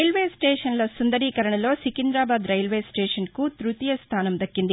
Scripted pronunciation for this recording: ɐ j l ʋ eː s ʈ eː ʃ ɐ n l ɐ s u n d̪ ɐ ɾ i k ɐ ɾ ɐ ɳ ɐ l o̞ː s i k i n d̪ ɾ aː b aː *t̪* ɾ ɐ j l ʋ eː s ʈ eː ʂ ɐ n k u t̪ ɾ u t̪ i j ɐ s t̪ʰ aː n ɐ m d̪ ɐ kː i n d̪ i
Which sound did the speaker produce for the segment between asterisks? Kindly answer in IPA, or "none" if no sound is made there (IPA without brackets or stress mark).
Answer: d̪